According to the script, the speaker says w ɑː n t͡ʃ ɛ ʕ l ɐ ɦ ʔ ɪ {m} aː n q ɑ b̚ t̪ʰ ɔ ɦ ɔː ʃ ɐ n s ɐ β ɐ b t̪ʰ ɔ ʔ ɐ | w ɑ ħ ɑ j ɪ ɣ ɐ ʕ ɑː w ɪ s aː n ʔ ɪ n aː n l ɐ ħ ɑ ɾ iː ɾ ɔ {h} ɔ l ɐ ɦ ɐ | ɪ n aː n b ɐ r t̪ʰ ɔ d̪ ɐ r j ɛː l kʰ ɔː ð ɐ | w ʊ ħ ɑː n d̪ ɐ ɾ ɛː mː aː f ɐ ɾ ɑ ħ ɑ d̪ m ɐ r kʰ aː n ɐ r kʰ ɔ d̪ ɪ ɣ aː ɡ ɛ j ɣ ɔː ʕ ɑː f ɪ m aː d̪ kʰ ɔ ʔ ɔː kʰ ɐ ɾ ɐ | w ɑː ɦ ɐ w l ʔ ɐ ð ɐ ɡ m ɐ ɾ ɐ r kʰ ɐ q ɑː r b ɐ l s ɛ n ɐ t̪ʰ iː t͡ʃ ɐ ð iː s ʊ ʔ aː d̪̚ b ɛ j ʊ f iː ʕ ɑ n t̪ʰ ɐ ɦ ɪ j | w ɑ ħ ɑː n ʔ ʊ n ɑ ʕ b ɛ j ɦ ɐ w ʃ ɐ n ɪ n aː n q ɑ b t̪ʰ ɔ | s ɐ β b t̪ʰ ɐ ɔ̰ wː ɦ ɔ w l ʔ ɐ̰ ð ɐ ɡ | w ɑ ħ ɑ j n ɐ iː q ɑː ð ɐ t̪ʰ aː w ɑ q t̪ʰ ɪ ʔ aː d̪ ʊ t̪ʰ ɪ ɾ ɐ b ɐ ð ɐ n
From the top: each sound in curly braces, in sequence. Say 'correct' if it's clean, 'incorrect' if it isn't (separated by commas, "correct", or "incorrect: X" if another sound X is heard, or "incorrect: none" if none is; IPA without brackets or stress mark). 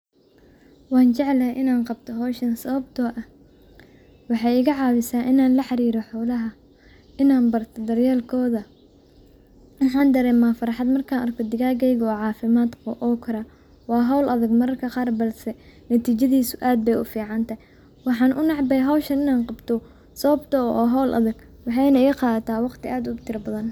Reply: incorrect: n, incorrect: ħ